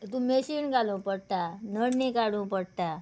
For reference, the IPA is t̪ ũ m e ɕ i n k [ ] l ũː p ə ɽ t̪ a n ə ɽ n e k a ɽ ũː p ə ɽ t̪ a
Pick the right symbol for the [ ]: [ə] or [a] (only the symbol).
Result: a